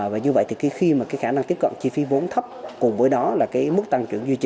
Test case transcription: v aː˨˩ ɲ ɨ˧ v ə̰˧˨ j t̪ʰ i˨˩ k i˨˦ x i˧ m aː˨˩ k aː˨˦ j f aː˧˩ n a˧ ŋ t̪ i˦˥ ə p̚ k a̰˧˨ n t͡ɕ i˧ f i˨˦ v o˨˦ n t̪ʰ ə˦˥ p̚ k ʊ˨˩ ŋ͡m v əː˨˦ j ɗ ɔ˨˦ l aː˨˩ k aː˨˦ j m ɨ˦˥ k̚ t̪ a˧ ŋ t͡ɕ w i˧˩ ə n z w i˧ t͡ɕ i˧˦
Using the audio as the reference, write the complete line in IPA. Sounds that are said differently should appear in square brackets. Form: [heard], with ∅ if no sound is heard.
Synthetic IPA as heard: v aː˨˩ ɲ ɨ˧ v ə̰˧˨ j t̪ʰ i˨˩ k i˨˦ x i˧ m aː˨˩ k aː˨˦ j [x] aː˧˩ n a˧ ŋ t̪ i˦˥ ə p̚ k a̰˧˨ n t͡ɕ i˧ f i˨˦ v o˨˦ n t̪ʰ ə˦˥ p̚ k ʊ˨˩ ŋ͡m v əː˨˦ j ɗ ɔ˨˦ l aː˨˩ k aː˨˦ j m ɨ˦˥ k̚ t̪ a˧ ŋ t͡ɕ w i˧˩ ə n z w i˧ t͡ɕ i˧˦